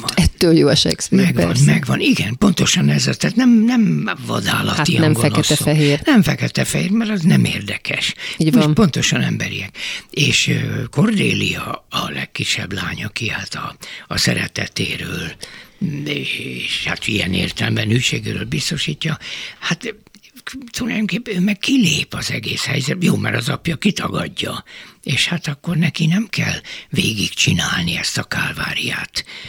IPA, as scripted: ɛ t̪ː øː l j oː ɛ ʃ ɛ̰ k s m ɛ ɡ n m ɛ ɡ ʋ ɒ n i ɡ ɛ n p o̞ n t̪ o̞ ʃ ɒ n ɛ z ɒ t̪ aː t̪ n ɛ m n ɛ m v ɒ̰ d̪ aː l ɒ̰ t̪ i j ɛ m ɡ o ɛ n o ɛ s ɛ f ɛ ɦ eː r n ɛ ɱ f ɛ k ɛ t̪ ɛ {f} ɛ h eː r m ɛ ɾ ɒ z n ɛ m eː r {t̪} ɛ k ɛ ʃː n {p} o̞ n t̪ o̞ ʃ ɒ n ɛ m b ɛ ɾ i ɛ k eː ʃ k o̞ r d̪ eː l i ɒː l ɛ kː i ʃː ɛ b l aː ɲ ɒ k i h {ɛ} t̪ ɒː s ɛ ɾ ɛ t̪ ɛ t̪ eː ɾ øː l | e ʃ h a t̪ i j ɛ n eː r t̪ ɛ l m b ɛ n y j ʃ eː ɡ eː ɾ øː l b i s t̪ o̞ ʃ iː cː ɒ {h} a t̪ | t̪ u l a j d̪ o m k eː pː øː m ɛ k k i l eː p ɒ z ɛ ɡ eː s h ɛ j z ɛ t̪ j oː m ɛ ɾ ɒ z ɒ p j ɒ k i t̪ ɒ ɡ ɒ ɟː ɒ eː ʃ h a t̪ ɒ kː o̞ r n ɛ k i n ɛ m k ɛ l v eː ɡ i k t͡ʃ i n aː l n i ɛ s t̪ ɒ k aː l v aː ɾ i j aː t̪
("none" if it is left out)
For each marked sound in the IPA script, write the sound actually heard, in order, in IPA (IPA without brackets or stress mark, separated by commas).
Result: f, d̪, p, a, h